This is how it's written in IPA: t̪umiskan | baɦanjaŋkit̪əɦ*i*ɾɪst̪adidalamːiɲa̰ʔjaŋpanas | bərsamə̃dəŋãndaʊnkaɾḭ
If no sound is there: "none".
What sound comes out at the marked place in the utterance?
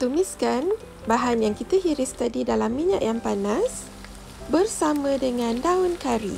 i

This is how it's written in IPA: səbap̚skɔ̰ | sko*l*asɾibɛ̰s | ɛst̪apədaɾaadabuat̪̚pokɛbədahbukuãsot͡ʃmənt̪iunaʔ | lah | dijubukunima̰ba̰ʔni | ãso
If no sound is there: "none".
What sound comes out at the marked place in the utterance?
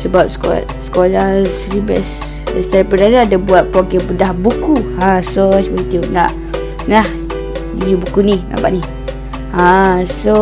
l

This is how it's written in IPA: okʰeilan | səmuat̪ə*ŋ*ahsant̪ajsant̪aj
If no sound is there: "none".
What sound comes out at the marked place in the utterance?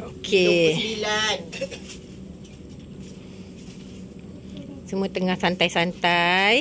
ŋ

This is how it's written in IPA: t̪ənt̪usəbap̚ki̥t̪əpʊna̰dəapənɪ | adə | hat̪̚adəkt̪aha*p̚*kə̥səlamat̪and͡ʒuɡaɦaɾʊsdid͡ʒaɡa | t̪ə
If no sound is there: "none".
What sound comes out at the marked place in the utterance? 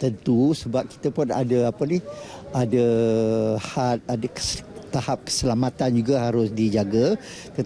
p̚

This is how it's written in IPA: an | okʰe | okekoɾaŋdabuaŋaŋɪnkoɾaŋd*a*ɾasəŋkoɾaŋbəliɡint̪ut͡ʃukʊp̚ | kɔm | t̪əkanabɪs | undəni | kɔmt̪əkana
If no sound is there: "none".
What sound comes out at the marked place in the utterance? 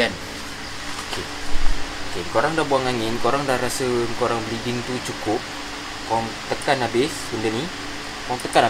a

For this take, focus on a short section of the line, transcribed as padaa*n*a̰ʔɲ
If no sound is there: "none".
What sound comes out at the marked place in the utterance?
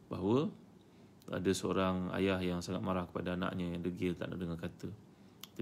n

